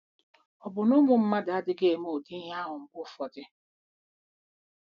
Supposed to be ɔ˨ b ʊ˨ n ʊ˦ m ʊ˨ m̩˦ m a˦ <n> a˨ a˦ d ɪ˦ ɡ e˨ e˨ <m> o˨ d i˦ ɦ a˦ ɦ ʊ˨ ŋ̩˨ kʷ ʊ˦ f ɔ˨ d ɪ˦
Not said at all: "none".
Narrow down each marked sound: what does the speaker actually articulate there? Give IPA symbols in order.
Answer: d, m

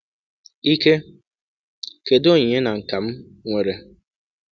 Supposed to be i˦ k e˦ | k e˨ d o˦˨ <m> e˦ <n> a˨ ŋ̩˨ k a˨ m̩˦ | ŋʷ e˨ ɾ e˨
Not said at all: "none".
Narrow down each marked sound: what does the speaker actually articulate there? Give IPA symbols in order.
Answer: ɲ, n

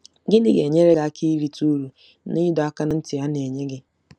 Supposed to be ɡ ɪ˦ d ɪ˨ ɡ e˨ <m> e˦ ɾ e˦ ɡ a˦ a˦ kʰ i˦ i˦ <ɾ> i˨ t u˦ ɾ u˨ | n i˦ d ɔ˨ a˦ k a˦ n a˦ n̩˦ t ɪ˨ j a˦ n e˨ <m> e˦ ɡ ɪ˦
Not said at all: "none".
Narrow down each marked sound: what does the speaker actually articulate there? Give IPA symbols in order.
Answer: ɲ, ɾ, ɲ

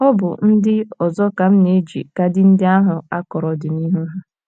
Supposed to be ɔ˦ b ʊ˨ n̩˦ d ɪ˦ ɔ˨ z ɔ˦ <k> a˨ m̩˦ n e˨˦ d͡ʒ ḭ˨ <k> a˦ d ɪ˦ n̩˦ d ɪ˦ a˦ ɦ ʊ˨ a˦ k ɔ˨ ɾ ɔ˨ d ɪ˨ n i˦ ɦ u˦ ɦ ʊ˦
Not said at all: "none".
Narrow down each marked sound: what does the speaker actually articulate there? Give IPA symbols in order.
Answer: k, k

